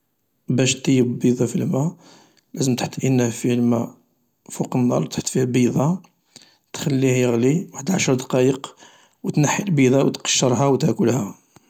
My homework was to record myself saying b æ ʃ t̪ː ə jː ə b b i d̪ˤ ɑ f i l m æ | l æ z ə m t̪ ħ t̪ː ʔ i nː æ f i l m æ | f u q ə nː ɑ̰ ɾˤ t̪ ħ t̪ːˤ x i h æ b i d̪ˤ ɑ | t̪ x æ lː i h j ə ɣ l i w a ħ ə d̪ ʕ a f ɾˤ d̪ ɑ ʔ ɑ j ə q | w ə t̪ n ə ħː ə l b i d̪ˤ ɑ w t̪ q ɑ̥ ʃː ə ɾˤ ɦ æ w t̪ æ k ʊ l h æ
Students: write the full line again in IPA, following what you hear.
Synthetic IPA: b æ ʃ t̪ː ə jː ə b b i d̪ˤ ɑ f i l m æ | l æ z ə m t̪ ħ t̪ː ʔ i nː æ f i l m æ | f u q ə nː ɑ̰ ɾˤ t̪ ħ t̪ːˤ f i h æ b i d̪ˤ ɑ | t̪ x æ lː i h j ə ɣ l i w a ħ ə d̪ ʕ a ʃ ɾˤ d̪ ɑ q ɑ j ə q | w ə t̪ n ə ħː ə l b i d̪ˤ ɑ w t̪ q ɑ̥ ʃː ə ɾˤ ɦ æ w t̪ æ k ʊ l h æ